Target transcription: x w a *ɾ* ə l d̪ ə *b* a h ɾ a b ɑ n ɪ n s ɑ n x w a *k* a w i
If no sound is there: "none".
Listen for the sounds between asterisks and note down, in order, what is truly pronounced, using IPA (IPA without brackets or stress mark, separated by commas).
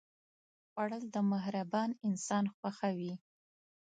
ɽ, m, x